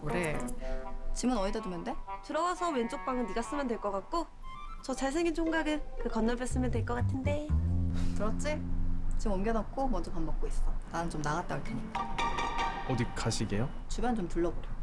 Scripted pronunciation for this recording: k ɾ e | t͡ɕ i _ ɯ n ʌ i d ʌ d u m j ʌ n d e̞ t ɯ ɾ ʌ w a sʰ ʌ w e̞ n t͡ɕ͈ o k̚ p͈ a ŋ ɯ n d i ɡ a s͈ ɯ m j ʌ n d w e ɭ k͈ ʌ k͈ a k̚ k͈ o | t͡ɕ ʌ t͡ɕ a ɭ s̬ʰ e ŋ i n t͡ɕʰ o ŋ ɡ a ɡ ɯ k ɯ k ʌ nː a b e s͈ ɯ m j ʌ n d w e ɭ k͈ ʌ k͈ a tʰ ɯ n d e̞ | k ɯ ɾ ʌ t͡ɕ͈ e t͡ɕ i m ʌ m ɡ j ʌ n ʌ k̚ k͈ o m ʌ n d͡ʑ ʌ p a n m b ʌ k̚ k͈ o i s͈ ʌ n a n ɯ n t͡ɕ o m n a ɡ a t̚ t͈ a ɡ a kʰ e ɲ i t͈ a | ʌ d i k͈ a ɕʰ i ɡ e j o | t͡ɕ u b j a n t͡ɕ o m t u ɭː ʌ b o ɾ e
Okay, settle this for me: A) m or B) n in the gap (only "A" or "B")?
A